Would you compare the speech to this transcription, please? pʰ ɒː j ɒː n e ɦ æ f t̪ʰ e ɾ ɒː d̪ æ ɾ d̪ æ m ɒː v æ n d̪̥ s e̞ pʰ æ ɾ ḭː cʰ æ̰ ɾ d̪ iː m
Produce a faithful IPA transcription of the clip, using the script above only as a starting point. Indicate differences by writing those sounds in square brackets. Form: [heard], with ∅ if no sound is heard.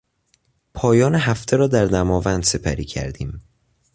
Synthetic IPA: pʰ ɒː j ɒː n e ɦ æ f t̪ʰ e ɾ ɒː d̪ æ ɾ d̪ æ m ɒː v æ n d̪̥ s e̞ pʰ æ ɾ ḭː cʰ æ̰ ɾ d̪ iː m